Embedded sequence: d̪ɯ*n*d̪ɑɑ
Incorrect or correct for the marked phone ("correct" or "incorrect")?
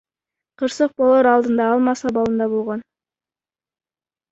correct